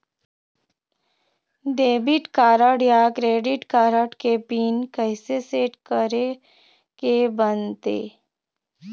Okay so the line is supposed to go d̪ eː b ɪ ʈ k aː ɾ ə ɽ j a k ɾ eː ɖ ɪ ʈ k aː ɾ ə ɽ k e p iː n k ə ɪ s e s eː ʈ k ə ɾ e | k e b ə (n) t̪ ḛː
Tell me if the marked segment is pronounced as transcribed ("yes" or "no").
yes